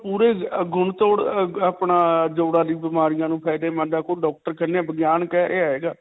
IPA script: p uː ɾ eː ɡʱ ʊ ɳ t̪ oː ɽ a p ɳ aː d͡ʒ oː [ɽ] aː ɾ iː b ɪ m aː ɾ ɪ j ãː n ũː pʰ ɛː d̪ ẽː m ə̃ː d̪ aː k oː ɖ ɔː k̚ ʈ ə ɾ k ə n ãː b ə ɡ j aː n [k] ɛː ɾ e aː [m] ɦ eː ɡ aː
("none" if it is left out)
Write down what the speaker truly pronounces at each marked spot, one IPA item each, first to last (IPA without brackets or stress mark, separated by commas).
ɽ, k, none